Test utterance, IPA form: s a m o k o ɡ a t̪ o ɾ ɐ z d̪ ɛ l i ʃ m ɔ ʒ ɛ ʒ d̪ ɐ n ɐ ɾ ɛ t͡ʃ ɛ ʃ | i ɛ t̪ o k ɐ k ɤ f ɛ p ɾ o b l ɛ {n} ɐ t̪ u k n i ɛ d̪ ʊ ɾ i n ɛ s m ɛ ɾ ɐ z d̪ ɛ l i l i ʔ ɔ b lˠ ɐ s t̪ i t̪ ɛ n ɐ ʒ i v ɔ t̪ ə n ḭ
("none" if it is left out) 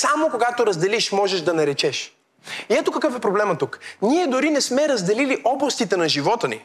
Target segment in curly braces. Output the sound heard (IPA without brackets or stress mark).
m